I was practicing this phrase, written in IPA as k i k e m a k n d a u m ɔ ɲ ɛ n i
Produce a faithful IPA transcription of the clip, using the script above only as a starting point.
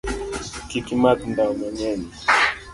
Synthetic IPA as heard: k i k i m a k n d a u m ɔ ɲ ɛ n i